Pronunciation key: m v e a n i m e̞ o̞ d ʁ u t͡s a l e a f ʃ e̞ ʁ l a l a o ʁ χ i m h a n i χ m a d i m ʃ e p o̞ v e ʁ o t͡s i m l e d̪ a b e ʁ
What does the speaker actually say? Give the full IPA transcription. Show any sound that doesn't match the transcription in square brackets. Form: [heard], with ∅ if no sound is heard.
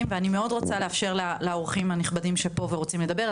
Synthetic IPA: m v e a n i m e̞ o̞ d ʁ [o] t͡s a l e a f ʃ e̞ ʁ l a l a o ʁ χ i m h a n i χ [b] a d i m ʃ e p o̞ v e ʁ o t͡s i m l e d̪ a b e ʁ